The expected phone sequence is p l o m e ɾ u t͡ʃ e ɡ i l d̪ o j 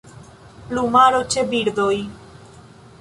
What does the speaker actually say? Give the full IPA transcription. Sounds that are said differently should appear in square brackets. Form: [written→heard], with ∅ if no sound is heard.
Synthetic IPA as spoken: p l [o→u] m [e→a] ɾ [u→o] t͡ʃ e [ɡ→b] i [l→ɾ] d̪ o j